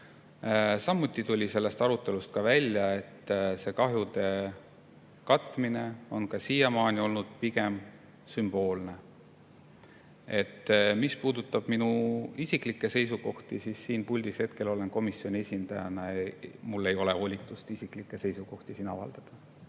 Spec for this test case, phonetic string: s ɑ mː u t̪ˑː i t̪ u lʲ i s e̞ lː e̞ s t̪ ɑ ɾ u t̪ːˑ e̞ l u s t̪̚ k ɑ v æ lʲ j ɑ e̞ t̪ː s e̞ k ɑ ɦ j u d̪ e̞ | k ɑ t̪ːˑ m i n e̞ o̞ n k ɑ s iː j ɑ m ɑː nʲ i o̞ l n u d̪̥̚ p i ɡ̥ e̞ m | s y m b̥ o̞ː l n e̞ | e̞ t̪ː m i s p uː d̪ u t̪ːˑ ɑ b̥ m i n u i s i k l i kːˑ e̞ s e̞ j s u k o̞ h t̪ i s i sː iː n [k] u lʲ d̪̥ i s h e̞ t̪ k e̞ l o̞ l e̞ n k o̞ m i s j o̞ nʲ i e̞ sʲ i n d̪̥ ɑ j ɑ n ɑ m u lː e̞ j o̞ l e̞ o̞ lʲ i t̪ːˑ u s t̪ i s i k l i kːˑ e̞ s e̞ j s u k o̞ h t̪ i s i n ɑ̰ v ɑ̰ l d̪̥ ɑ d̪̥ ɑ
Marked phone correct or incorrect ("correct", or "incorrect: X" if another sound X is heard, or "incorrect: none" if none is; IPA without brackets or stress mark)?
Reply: incorrect: p